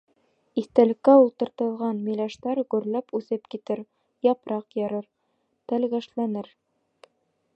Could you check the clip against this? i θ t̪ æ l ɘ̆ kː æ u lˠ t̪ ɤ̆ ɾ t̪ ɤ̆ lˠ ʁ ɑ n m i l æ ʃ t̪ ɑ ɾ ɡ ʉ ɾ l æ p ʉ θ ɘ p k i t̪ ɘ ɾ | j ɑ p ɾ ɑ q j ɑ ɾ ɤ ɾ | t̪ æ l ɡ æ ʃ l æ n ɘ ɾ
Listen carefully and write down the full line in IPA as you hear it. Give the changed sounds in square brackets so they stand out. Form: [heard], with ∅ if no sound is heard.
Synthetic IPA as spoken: i θ t̪ æ l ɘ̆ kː æ u lˠ t̪ ɤ̆ ɾ t̪ ɤ̆ lˠ ʁ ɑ n m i l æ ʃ t̪ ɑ ɾ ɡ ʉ ɾ l æ p ʉ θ ɘ p k i t̪ ɘ ɾ | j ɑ p ɾ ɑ q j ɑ ɾ ɤ ɾ | t̪ æ l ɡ æ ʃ l æ n ɘ ɾ